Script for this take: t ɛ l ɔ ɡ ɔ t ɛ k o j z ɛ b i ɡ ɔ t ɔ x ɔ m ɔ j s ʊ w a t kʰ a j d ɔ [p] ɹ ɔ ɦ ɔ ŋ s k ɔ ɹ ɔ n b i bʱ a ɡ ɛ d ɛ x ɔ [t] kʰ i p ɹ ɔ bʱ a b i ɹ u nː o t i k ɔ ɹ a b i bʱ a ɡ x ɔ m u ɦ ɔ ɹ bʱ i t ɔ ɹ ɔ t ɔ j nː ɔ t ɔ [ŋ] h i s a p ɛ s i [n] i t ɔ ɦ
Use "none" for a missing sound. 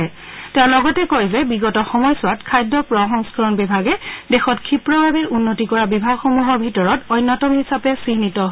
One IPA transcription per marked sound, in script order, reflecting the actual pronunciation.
p, t, m, n

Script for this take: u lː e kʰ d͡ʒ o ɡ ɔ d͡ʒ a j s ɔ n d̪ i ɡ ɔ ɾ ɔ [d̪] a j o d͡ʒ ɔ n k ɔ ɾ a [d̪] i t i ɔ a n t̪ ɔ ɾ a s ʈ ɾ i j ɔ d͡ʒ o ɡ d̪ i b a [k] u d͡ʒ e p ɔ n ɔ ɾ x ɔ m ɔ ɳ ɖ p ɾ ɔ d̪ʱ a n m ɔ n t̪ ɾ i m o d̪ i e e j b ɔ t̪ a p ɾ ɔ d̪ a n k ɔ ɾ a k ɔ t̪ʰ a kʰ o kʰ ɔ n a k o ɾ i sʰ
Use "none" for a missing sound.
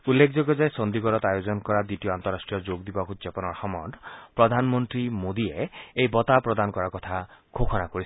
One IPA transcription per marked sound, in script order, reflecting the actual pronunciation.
t̪, d̪, k

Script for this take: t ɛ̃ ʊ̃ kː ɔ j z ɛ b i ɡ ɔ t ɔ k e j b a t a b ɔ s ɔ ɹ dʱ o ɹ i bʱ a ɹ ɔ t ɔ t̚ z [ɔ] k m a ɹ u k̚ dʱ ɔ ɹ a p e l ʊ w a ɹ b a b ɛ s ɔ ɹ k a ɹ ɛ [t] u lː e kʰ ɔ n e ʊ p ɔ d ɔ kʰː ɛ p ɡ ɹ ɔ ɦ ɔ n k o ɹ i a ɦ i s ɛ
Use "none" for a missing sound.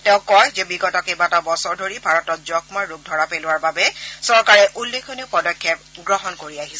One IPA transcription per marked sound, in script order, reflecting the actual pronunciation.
ɔ, ʔ

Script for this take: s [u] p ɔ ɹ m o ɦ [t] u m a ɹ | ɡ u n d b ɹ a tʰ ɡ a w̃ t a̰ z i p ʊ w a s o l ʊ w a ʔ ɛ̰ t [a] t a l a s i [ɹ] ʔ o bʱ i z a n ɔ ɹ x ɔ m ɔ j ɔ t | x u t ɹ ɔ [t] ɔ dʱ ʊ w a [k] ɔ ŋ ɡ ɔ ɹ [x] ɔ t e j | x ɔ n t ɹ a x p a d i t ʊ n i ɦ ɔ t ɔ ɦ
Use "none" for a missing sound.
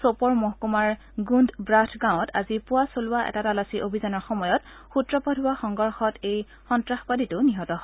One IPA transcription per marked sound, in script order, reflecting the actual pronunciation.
o, k, a, none, p, x, x

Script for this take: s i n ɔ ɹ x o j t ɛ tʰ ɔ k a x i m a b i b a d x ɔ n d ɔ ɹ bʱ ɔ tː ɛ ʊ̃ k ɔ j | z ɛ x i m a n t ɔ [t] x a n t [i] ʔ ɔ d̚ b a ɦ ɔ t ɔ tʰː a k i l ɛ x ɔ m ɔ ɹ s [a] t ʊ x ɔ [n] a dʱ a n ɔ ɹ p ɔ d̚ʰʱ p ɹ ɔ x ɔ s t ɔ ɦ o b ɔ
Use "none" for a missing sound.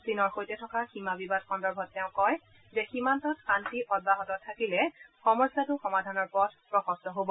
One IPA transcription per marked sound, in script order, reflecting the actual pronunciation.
t, i, a, m

